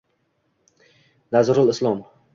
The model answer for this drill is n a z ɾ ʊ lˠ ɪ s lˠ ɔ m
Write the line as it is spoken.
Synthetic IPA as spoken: n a z ɾ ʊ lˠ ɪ s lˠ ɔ m